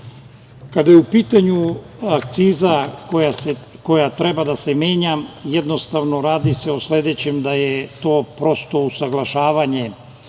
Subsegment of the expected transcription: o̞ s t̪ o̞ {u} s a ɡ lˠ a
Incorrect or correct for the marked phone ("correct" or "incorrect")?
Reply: correct